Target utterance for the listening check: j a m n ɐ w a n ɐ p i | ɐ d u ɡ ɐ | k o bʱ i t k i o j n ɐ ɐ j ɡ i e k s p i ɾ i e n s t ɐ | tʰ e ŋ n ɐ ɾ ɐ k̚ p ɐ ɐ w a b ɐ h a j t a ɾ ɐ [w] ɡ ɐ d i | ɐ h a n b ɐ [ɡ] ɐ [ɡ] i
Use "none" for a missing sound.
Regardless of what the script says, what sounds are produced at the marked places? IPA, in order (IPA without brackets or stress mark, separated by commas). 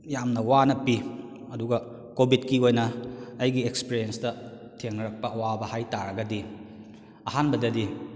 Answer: none, d, d